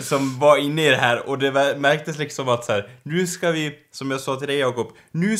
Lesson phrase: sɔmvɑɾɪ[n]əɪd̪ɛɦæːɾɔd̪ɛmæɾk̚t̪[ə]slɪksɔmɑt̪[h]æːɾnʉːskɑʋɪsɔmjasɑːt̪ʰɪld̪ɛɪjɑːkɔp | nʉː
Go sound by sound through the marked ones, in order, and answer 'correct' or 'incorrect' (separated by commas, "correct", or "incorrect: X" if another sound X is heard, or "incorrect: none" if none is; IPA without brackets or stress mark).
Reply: incorrect: nː, correct, incorrect: s